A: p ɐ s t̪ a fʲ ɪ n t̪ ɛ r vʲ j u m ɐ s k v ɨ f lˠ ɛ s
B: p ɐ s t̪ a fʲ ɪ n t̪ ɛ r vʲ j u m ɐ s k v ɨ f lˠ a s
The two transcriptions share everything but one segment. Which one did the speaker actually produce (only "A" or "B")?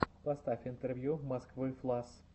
B